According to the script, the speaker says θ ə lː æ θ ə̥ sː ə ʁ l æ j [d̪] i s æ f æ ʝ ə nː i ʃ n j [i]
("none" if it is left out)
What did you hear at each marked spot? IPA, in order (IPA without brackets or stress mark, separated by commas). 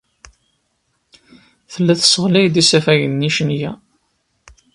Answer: d̪, æ